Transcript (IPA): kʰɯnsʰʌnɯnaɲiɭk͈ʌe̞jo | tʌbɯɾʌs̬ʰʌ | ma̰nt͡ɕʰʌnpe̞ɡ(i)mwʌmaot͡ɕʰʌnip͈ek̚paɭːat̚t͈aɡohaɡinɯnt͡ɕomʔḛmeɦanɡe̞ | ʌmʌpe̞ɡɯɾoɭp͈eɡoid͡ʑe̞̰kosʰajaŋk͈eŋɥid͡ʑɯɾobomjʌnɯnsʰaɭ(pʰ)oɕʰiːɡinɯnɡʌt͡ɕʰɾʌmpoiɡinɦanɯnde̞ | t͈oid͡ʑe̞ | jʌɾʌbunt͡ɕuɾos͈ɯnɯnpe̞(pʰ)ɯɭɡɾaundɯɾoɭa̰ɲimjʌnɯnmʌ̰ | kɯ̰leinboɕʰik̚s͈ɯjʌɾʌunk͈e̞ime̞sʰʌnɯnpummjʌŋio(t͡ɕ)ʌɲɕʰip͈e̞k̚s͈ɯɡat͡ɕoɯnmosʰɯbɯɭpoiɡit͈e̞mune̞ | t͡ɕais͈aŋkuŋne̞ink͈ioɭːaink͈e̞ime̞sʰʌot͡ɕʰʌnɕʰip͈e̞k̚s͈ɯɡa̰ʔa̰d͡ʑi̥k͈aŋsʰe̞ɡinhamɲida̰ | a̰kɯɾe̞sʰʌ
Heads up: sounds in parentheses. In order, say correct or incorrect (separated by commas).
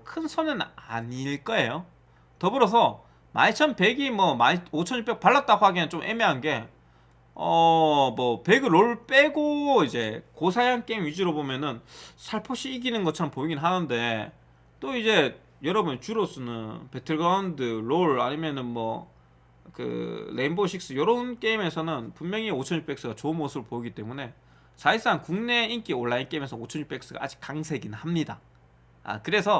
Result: correct, correct, incorrect, incorrect